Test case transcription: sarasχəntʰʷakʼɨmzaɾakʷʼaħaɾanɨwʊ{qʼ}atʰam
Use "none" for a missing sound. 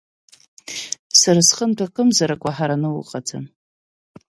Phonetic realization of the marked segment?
qʼ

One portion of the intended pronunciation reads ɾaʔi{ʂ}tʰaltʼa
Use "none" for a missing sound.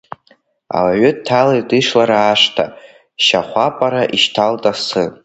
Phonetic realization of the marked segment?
ʃ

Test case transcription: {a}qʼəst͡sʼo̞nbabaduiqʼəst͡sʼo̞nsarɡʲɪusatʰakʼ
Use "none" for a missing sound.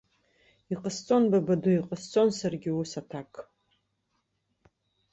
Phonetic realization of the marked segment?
i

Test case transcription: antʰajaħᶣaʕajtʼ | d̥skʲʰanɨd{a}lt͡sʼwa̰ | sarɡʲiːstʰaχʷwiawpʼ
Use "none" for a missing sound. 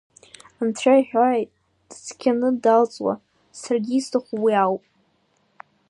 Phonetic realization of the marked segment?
a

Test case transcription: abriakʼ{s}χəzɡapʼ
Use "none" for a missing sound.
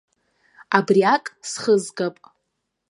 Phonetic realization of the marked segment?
s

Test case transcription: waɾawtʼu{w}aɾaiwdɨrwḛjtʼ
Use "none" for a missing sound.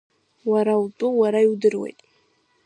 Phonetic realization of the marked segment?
w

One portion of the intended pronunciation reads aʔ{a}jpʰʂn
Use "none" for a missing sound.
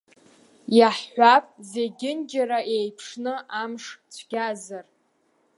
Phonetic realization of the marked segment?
e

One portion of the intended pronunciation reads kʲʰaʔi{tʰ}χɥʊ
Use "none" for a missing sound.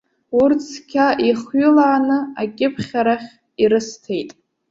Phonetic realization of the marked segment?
none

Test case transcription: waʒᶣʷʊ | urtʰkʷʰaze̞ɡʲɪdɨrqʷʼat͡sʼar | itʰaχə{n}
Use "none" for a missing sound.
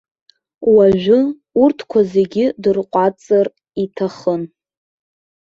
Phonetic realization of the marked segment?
n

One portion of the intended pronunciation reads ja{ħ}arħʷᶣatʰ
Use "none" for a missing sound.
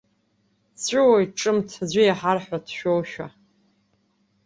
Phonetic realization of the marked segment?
ħ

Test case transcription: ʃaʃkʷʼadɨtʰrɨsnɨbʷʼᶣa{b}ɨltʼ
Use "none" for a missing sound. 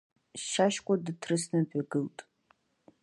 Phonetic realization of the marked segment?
ɡ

